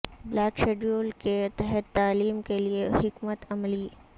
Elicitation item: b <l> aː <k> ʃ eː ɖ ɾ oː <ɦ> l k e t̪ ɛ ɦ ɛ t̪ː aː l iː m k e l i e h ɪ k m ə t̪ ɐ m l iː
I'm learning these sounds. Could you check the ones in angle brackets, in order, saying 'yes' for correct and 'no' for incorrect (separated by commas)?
yes, yes, no